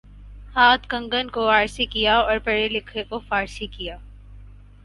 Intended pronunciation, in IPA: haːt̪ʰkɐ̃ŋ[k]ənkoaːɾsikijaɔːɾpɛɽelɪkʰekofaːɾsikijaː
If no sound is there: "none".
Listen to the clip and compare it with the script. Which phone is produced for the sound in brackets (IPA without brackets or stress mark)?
ɡ